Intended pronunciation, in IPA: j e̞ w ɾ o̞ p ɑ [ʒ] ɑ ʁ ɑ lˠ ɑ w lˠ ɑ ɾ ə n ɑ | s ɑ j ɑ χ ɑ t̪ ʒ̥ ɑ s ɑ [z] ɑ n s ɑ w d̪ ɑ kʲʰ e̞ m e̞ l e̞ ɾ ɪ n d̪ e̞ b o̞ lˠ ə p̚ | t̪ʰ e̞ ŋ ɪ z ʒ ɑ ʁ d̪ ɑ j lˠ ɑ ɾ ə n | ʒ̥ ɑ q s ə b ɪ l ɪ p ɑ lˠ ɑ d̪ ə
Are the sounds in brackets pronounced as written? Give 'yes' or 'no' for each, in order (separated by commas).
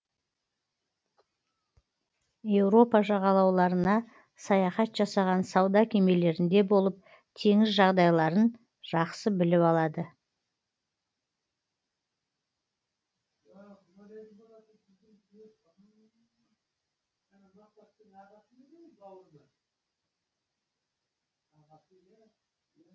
yes, no